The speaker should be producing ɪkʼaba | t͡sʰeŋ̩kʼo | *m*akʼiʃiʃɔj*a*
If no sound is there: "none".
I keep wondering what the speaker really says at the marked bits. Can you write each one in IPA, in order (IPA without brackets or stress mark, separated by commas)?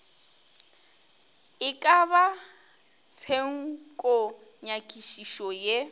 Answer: ɲ, e